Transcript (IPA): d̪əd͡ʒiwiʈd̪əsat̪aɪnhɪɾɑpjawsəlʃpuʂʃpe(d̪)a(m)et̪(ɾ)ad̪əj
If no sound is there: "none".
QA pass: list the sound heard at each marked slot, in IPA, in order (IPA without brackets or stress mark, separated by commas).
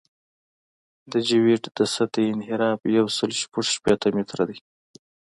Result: t̪, m, ɾ